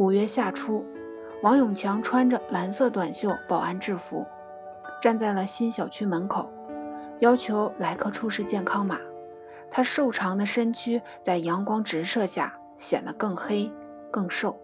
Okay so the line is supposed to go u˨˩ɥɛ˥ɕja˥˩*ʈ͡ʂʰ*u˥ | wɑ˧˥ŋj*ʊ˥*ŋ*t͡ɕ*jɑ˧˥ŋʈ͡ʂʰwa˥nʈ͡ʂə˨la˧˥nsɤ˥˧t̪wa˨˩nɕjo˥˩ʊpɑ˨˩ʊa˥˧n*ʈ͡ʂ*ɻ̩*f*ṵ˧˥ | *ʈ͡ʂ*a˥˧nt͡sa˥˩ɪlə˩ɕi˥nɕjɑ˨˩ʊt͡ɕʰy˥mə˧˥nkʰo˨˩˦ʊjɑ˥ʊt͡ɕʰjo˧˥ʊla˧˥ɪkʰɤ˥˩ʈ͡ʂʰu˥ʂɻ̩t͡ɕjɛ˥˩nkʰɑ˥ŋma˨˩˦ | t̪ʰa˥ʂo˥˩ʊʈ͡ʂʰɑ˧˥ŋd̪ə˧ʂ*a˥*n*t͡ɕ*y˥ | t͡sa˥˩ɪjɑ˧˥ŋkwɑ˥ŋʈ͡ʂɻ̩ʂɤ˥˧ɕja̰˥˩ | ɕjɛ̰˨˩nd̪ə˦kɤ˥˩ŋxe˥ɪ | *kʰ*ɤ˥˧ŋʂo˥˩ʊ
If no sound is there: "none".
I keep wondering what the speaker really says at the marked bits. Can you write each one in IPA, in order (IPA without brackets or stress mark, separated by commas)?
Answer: ʈ͡ʂʰ, ʊ˨˩, t͡ɕʰ, ʈ͡ʂ, f, ʈ͡ʂ, ə˥, t͡ɕʰ, k